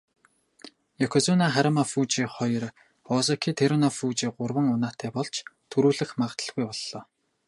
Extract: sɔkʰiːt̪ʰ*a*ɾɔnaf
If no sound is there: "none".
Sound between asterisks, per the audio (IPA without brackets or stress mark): e